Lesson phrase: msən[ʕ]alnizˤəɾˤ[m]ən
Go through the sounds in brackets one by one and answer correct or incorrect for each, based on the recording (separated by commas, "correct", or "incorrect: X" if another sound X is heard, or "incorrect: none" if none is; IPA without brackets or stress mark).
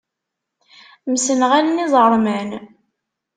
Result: incorrect: ʁ, correct